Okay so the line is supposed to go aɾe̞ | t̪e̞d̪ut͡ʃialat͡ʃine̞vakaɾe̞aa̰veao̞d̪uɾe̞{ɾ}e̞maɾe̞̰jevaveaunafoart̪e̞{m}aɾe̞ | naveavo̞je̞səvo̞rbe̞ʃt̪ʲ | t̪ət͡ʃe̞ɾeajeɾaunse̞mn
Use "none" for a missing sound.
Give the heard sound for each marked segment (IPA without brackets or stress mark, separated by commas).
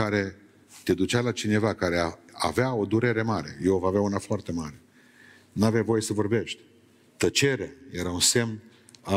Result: ɾ, m